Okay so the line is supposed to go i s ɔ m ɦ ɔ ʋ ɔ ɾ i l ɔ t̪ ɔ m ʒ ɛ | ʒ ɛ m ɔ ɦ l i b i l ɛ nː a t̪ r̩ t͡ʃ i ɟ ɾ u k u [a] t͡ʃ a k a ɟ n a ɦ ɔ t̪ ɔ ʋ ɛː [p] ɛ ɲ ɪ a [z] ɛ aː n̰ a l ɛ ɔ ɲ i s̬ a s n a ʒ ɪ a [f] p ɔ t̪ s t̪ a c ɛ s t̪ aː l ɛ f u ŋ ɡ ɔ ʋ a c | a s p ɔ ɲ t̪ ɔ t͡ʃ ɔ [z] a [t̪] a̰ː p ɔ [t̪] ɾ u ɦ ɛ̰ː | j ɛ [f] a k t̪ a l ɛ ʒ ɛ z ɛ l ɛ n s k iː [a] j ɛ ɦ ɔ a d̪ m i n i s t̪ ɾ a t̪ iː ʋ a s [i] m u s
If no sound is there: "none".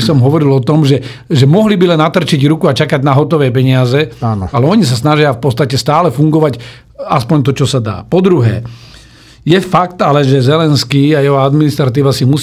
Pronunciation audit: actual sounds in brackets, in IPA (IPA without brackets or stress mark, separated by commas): a, p, z, f, s, d̪, d̪, f, a, i